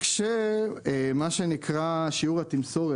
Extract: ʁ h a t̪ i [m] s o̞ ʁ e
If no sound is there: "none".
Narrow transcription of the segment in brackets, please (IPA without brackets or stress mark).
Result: m